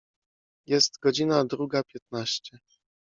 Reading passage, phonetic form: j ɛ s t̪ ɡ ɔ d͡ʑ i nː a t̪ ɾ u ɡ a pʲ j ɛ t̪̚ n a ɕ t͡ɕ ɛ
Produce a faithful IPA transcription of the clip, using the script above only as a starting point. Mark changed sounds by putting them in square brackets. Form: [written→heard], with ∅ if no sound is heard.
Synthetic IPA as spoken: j ɛ s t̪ ɡ ɔ d͡ʑ i [nː→n] a [t̪→d̪] ɾ u ɡ a pʲ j ɛ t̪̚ n a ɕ t͡ɕ ɛ